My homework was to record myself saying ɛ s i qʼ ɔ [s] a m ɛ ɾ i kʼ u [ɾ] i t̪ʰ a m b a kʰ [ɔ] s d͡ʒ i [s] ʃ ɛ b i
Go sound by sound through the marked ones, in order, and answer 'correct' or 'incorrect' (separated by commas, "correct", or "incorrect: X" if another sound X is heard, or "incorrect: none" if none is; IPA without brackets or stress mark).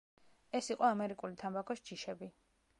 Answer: incorrect: none, incorrect: l, correct, incorrect: none